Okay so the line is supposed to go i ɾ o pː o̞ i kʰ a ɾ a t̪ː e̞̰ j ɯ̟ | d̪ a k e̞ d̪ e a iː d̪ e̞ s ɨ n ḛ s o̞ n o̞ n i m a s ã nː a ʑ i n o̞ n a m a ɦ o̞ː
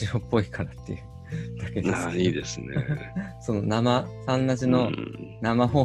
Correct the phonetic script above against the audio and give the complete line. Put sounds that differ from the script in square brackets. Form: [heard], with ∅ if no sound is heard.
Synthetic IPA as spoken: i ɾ o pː o̞ i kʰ a ɾ a t̪ː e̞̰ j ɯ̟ | d̪ a k e̞ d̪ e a iː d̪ e̞ s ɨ n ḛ s o̞ n o̞ n [a] m a s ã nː a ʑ i n o̞ n a m a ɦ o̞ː